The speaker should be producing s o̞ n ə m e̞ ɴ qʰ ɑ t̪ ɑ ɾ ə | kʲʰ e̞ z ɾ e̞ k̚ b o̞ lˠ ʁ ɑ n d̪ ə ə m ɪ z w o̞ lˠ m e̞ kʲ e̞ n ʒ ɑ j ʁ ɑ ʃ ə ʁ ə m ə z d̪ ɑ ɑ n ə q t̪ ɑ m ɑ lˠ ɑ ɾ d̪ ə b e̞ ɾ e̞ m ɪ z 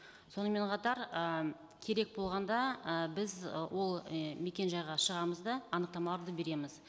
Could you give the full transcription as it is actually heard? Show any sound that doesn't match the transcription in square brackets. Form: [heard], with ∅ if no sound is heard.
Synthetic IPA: s o̞ n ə m e̞ ɴ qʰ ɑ t̪ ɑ ɾ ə | kʲʰ e̞ [∅] ɾ e̞ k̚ b o̞ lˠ ʁ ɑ n d̪ [ɑ] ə [b] ɪ z w o̞ lˠ m e̞ kʲ e̞ n ʒ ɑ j ʁ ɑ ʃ ə ʁ [ɑ] m ə z d̪ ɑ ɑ n ə q t̪ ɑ m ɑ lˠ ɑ ɾ d̪ ə b e̞ ɾ e̞ m ɪ z